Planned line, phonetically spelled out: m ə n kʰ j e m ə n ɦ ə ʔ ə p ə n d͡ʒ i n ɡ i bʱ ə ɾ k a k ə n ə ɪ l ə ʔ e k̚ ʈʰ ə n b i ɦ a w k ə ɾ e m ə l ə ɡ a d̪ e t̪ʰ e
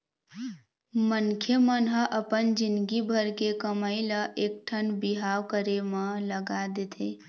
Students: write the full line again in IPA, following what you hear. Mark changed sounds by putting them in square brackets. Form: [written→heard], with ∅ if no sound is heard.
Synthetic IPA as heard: m ə n kʰ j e m ə n ɦ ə ʔ ə p ə n d͡ʒ i n ɡ i bʱ ə ɾ k [a→e] k ə [n→m] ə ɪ l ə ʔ e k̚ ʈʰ ə n b i ɦ a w k ə ɾ e m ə l ə ɡ a d̪ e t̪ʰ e